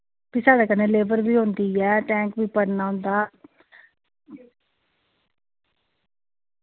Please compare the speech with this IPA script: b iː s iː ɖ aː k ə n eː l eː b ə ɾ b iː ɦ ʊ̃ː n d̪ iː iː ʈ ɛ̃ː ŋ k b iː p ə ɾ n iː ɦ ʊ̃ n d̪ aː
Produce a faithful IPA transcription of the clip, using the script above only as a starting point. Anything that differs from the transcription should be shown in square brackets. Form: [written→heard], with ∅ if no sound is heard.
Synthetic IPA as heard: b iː s [iː→aː] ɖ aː k ə n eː l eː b ə ɾ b iː ɦ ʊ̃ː n d̪ iː [iː→ɛː] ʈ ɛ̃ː ŋ k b iː p ə ɾ n [iː→aː] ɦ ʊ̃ n d̪ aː